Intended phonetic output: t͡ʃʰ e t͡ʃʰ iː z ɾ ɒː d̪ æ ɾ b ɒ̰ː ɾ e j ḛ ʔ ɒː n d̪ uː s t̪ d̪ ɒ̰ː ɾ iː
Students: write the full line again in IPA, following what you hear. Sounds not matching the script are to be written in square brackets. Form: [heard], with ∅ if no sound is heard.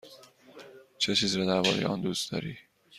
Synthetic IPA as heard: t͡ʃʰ e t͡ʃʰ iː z ɾ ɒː d̪ æ ɾ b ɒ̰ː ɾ e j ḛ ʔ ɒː n d̪ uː s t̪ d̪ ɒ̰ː ɾ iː